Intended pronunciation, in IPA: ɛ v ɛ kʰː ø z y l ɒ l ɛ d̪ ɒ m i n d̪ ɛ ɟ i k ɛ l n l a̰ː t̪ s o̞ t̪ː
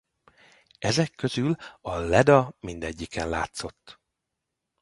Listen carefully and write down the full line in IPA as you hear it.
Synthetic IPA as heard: ɛ z ɛ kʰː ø z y l ɒ l ɛ d̪ ɒ m i n d̪ ɛ ɟː i k ɛ n l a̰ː t̪ s o̞ t̪ː

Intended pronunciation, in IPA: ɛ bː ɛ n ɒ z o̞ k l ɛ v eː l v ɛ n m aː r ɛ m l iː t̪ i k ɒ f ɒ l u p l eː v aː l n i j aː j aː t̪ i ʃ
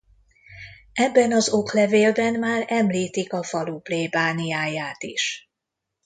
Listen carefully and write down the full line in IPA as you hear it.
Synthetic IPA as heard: ɛ bː ɛ n ɒ z o̞ k l ɛ v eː l b ɛ n m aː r ɛ m l iː t̪ i k ɒ f ɒ l u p l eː b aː n i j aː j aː t̪ i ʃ

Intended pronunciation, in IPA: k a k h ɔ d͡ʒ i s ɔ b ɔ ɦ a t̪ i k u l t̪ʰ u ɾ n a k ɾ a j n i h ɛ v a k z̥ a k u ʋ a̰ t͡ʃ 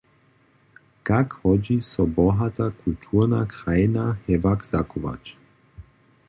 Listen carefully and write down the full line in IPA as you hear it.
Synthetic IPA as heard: k a k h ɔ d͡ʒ i s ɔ b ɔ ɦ a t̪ a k u l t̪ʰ u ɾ n a k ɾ a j n a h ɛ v a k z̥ a k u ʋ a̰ t͡ʃ

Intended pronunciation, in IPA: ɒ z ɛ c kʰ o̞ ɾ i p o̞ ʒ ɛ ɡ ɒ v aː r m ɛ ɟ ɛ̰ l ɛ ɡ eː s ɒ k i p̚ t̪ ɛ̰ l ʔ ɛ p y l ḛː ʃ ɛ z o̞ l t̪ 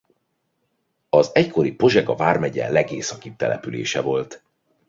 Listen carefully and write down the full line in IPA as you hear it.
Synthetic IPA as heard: ɒ z ɛ c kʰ o̞ ɾ i p o̞ ʒ ɛ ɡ ɒ v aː r m ɛ ɟ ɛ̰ l ɛ ɡ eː s ɒ k i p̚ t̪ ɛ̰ l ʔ ɛ p y l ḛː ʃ ɛ v o̞ l t̪

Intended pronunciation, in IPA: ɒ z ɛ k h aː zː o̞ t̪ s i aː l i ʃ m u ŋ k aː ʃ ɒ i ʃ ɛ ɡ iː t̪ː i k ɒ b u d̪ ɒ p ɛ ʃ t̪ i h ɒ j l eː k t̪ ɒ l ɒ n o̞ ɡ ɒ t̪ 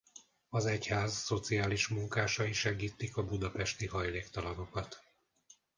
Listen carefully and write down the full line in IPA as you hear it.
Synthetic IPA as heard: ɒ z ɛ c h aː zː o̞ t̪ s i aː l i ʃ m u ŋ k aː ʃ ɒ i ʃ ɛ ɡ iː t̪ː i k ɒ b u d̪ ɒ p ɛ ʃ t̪ i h ɒ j l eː k t̪ ɒ l ɒ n o̞ k ɒ t̪

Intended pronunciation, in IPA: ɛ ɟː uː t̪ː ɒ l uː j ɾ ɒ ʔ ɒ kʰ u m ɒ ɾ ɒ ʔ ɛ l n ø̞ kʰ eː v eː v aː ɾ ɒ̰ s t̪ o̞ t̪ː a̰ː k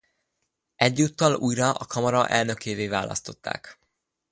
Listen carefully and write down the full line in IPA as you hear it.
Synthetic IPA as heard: ɛ ɟː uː t̪ː ɒ l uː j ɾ ɒ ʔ ɒ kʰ ɒ m ɒ ɾ ɒ ʔ ɛ l n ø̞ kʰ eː v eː v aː l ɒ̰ s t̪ o̞ t̪ː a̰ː k

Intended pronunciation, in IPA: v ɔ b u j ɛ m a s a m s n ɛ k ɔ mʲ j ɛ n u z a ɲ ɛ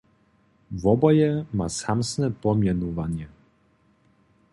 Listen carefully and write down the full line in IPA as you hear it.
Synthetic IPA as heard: v ɔ b ɔ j ɛ m a s a m s n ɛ p ɔ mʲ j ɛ n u v a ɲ ɛ

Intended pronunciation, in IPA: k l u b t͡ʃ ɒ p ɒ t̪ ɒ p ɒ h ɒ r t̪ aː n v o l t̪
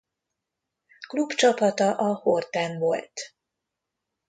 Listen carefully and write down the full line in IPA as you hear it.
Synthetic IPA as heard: k l u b t͡ʃ ɒ p ɒ t̪ ɒ ʔ ɒ h o r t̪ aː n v o l t̪

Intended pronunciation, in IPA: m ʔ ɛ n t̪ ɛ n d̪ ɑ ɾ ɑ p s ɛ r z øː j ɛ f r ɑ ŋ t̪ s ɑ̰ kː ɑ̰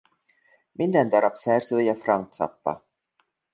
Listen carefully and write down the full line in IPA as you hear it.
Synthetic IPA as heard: m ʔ i n d̪ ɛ n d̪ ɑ ɾ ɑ p s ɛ r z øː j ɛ f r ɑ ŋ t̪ s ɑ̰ pː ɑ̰

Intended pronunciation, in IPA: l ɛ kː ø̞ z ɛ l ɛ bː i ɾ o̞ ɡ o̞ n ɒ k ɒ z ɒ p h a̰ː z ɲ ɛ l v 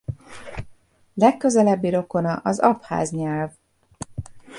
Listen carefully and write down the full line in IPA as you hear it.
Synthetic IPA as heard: l ɛ kː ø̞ z ɛ l ɛ bː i ɾ o̞ k o̞ n ɒ ʔ ɒ z ɒ p h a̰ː z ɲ ɛ l v

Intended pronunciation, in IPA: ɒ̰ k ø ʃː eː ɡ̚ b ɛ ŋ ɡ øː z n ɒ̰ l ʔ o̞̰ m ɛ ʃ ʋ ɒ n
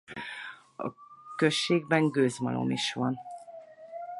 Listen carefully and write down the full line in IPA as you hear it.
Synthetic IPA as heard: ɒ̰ k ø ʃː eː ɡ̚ b ɛ ŋ ɡ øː z m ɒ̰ l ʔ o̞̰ m i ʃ ʋ ɒ n

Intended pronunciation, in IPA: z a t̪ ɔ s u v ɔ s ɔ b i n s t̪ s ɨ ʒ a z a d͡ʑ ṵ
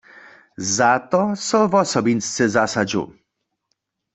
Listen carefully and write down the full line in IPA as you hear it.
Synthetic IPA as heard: z a t̪ ɔ s ɔ v ɔ s ɔ b i n s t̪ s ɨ z a s a d͡ʑ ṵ

